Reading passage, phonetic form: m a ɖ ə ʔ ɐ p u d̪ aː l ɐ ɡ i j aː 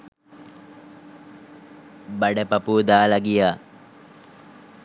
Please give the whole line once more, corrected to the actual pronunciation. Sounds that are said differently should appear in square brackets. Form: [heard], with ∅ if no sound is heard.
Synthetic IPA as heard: [b] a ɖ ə [p] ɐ p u d̪ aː l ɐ ɡ i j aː